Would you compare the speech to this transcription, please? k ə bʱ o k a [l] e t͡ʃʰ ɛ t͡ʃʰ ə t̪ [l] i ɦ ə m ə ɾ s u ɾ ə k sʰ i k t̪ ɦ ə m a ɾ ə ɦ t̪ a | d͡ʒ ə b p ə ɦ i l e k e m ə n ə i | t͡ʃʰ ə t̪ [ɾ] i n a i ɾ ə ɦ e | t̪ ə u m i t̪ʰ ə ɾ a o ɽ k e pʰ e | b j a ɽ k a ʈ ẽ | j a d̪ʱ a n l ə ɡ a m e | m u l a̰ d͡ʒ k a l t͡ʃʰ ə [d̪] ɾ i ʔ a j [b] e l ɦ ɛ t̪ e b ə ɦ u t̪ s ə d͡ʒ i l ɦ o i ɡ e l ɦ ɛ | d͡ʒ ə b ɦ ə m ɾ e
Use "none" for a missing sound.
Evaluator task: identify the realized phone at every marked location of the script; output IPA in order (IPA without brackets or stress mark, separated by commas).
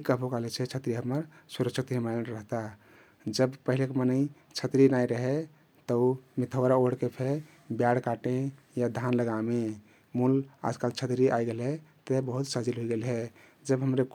l, ɾ, ɾ, t̪, ɡ